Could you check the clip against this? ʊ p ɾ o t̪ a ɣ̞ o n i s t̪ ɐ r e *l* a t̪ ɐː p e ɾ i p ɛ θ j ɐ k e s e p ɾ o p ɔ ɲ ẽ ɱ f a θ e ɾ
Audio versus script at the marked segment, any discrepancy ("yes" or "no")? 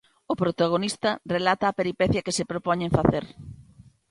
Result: no